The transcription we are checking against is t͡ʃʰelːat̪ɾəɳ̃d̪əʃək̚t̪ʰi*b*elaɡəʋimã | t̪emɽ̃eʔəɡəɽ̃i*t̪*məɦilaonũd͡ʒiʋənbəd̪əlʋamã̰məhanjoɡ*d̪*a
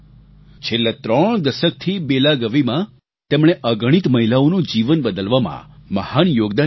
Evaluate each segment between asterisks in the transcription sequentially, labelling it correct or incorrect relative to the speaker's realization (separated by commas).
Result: correct, correct, correct